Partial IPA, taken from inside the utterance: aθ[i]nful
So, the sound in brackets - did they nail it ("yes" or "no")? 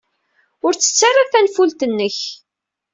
no